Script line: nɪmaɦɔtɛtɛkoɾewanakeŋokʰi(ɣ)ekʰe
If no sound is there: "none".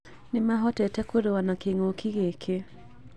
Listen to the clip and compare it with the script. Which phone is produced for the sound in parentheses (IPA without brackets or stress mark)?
ɣ